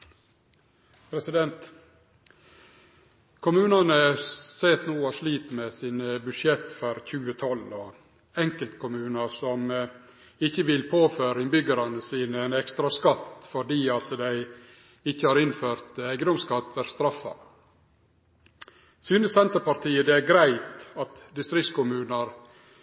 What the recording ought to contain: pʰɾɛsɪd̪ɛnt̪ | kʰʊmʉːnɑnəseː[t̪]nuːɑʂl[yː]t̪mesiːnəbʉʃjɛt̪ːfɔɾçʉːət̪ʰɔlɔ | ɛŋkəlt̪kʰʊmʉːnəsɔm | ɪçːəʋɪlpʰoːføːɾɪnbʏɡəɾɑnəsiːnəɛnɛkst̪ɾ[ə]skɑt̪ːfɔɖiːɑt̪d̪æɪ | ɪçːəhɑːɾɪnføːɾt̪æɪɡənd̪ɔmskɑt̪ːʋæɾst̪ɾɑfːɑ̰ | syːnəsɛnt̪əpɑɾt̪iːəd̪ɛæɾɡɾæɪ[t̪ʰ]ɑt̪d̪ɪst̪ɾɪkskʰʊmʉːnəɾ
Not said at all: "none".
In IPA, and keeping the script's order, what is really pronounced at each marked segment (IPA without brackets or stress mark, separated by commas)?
t̪, iː, ɑ, t̪